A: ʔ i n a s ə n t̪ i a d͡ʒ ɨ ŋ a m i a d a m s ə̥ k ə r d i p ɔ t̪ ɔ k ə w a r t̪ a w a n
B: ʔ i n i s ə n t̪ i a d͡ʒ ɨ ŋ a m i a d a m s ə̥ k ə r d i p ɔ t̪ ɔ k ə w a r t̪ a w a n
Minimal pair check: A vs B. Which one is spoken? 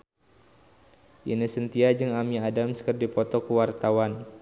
B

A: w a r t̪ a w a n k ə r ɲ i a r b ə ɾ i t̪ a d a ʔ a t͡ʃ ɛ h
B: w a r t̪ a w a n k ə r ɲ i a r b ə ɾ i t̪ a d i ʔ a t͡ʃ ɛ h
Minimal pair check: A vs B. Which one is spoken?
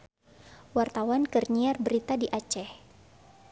B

